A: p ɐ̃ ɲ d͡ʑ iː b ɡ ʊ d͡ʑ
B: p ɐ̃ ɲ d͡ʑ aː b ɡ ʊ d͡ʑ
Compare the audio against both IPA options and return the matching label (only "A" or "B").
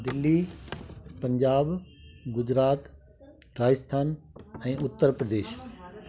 B